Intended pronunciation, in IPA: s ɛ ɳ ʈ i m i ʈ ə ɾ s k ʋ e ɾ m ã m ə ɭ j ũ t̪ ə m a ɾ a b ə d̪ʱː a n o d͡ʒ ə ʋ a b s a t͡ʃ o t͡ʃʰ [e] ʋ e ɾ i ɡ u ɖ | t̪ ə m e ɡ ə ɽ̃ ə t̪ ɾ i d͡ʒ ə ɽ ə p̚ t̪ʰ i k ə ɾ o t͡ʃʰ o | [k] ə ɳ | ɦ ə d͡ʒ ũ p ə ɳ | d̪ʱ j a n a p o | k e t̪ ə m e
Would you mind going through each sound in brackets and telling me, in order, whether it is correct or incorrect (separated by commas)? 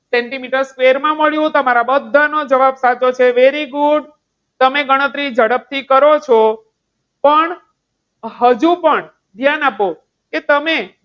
correct, incorrect